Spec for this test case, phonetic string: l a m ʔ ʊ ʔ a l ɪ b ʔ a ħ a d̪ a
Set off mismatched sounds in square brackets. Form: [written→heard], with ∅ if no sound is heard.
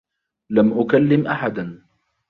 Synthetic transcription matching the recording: l a m ʔ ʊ [ʔ→k] a [l→lː] ɪ [b→m] ʔ a ħ a d̪ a